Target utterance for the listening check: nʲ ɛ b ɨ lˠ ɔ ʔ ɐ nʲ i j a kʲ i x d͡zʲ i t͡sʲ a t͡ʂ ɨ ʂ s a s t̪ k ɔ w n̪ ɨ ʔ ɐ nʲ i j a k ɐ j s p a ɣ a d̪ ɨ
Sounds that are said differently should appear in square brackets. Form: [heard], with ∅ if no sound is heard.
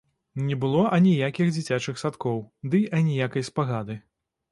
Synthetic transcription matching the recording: nʲ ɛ b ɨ lˠ ɔ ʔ ɐ nʲ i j a kʲ i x d͡zʲ i t͡sʲ a t͡ʂ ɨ [x] s a [∅] t̪ k ɔ w [d̪] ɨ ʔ ɐ nʲ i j a k ɐ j s p a ɣ a d̪ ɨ